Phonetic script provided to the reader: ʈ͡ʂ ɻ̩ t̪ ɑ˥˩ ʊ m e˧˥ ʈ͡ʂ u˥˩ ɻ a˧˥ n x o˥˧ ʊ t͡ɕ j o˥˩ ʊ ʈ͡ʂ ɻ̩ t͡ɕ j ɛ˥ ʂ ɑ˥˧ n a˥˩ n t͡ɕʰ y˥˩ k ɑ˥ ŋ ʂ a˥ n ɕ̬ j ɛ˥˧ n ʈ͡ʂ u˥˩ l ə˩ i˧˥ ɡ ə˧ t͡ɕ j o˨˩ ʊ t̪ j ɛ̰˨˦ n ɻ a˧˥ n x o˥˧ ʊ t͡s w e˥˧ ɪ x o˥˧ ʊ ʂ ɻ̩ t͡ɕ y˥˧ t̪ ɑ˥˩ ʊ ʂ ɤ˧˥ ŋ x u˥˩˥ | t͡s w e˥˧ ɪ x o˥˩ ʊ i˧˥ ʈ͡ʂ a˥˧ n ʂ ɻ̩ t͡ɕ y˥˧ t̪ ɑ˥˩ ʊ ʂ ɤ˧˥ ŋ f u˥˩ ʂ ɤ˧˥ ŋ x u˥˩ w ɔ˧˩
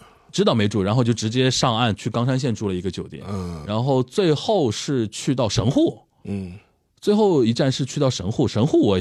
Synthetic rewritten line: ʈ͡ʂ ɻ̩ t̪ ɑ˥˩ ʊ m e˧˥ ʈ͡ʂ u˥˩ ɻ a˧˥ n x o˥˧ ʊ t͡ɕ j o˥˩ ʊ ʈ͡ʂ ɻ̩ t͡ɕ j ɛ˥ ʂ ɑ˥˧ ŋ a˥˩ n t͡ɕʰ y˥˩ k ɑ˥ ŋ ʂ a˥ n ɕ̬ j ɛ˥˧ n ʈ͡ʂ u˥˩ l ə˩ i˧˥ ɡ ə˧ t͡ɕ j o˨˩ ʊ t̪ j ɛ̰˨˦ n ɻ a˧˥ n x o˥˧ ʊ t͡s w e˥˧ ɪ x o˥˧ ʊ ʂ ɻ̩ t͡ɕʰ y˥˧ t̪ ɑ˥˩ ʊ ʂ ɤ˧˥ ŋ x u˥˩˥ | t͡s w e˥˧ ɪ x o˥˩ ʊ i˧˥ ʈ͡ʂ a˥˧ n ʂ ɻ̩ t͡ɕʰ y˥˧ t̪ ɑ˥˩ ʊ ʂ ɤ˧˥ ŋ x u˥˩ ʂ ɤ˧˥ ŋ x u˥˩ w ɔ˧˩